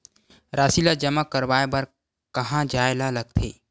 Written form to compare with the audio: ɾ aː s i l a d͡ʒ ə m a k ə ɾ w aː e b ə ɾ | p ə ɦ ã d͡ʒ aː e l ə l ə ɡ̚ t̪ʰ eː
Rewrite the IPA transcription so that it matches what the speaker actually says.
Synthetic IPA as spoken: ɾ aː s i l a d͡ʒ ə m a k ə ɾ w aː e b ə ɾ | k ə ɦ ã d͡ʒ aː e l a l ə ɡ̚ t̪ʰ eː